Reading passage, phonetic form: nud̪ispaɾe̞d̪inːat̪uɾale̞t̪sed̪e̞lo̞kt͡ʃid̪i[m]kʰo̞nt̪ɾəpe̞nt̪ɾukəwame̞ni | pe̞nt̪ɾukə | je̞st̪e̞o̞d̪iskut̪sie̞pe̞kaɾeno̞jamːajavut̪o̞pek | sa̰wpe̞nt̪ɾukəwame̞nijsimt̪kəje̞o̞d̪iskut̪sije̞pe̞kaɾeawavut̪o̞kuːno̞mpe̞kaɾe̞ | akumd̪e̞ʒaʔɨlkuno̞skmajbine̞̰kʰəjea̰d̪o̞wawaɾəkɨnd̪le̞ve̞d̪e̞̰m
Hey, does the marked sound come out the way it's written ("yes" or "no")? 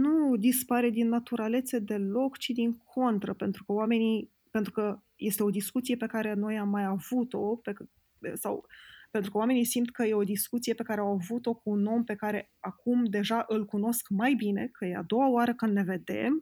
no